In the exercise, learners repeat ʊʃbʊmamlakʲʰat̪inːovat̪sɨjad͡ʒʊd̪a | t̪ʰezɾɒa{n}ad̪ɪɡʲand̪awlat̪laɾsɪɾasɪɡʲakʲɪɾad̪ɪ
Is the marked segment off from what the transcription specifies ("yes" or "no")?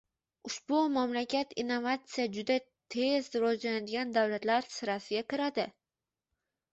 no